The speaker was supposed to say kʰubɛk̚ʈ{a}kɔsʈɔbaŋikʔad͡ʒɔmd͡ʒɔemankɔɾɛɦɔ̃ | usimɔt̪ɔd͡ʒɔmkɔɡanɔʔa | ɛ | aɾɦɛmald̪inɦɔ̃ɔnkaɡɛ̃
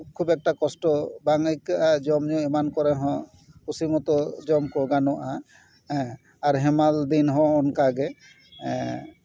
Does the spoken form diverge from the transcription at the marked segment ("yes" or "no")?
no